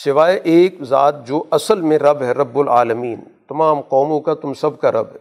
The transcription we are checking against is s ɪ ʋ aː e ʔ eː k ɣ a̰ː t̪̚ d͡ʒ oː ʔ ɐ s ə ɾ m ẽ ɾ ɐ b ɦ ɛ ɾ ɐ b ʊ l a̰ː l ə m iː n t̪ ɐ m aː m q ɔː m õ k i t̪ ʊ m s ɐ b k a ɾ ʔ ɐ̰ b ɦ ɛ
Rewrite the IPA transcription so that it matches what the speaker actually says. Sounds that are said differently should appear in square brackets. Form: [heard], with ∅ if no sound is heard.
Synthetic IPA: s ɪ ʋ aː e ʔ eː k [z] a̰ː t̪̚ d͡ʒ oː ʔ ɐ s ə [l] m ẽ ɾ ɐ b ɦ ɛ ɾ ɐ [bː] ʊ l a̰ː l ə m iː n t̪ ɐ m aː m q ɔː m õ k [a] t̪ ʊ m s ɐ b k a ɾ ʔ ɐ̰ b ɦ ɛ